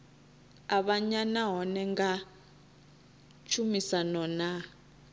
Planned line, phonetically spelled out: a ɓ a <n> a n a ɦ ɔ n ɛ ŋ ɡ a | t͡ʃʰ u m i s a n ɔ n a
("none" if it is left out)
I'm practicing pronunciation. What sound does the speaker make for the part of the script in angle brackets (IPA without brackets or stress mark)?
ɲ